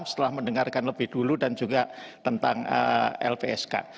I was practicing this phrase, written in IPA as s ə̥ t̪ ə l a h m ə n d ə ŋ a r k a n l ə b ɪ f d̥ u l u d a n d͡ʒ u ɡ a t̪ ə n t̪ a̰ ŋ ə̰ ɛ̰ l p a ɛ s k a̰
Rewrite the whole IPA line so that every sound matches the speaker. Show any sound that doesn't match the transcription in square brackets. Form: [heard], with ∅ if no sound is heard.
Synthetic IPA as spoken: s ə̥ t̪ ə l a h m ə n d ə ŋ a r k a n l ə b ɪ [h] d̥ u l u d a n d͡ʒ u ɡ a t̪ ə n t̪ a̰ ŋ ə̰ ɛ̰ l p [e] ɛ s k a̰